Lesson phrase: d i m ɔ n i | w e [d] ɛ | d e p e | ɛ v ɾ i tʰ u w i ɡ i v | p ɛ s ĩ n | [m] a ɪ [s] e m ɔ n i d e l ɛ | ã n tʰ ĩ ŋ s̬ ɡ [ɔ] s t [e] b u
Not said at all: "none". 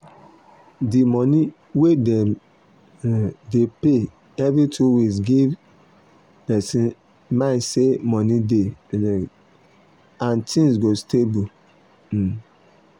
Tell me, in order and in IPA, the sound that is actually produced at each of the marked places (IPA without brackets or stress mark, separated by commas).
d, m, s, o, e